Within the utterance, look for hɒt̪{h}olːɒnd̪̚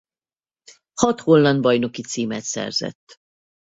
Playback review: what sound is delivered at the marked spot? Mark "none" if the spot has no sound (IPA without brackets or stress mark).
h